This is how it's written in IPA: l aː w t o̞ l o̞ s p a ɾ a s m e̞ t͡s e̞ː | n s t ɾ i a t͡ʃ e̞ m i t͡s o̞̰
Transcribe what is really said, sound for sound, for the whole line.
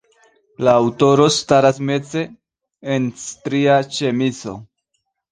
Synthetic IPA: l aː w t o̞ ɾ o̞ s t a ɾ a s m e̞ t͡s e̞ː | n s t ɾ i a t͡ʃ e̞ m i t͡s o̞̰